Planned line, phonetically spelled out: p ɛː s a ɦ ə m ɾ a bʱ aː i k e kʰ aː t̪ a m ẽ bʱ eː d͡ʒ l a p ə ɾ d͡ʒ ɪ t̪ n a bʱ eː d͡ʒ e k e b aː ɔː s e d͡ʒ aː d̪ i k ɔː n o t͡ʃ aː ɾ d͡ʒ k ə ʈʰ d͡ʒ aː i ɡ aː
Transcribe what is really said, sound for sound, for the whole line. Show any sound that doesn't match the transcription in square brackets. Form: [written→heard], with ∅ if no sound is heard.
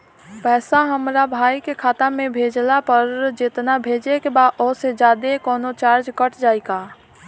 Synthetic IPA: p ɛː s a ɦ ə m ɾ a bʱ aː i k e kʰ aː t̪ a m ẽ bʱ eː d͡ʒ l a p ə ɾ d͡ʒ ɪ t̪ n a bʱ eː d͡ʒ e k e b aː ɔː s e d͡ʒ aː d̪ [i→e] k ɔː n o t͡ʃ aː ɾ d͡ʒ k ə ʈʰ d͡ʒ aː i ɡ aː

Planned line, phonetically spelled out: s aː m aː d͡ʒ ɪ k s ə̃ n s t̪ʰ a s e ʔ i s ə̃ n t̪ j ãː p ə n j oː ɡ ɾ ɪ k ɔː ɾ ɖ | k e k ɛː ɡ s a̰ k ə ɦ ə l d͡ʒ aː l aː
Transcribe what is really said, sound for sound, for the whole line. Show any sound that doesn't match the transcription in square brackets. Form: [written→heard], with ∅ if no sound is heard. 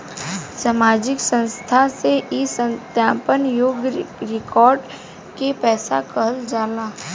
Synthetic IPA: s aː m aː d͡ʒ ɪ k s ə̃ n s t̪ʰ a s e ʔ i s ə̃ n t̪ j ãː p ə n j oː ɡ ɾ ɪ k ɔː ɾ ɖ | k e [k→p] ɛː [ɡ→∅] s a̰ k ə ɦ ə l d͡ʒ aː l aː

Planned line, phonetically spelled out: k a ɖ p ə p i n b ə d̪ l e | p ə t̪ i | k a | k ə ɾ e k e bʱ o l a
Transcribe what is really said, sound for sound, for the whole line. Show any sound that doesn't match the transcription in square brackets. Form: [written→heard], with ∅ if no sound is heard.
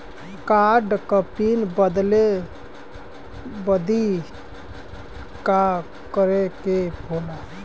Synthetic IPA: k a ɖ [p→k] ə p i n b ə d̪ l e | [p→b] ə [t̪→d̪] i | k a | k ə ɾ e k e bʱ o l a

